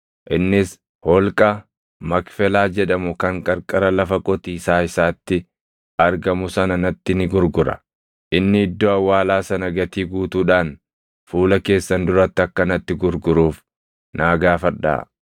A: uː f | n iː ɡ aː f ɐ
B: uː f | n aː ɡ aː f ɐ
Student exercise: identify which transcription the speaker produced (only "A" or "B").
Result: B